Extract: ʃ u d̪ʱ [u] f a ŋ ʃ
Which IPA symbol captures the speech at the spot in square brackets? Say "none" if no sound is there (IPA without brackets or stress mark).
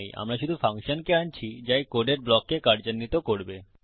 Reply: u